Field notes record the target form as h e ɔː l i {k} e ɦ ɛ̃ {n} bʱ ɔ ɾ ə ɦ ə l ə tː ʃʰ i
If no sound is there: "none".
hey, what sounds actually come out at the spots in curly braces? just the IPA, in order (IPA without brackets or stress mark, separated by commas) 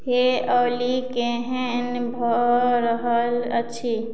k, n